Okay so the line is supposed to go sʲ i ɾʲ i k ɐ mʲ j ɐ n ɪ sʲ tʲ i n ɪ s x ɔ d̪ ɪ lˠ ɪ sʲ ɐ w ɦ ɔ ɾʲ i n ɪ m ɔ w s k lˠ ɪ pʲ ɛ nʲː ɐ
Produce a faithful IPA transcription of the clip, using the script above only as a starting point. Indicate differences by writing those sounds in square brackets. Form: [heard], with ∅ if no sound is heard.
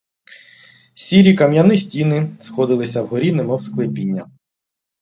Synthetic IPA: sʲ i ɾʲ i k ɐ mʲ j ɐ n ɪ sʲ tʲ i n ɪ s x ɔ d̪ ɪ lˠ ɪ sʲ ɐ w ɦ ɔ ɾʲ i n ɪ m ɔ w s k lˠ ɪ pʲ [i] nʲː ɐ